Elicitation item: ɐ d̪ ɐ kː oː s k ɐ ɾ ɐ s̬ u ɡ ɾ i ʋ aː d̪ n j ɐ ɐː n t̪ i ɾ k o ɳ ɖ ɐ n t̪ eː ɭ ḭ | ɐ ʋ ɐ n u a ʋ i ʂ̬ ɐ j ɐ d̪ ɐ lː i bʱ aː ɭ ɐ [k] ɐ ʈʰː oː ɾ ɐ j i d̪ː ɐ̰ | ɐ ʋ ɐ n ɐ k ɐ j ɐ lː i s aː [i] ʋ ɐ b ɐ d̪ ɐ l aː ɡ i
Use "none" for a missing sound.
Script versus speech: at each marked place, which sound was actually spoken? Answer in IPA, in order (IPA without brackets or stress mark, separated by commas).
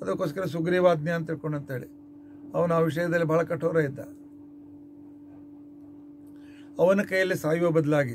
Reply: k, j